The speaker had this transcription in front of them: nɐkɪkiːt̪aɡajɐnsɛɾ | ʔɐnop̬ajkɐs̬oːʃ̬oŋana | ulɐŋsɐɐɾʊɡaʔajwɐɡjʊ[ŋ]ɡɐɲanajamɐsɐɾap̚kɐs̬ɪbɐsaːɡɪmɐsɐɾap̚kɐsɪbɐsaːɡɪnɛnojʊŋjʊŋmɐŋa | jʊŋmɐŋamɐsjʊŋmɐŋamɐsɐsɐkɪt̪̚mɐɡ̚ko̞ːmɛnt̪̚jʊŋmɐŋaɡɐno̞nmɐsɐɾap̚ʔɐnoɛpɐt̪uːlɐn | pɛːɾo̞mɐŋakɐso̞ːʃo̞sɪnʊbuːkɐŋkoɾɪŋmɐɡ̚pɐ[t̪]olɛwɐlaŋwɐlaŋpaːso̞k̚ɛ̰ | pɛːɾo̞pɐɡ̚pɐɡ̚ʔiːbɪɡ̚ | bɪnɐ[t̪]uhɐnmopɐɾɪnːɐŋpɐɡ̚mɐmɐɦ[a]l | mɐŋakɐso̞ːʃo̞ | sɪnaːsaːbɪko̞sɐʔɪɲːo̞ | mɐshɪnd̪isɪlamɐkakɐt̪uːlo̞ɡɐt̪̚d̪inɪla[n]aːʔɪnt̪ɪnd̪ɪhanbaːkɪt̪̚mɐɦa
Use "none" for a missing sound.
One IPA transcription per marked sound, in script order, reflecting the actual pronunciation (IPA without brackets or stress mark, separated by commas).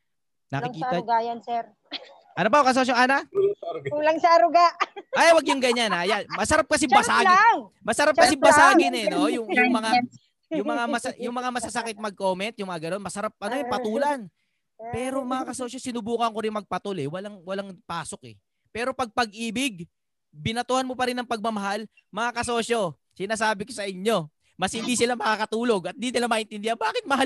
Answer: ŋ, t̪, t̪, a, m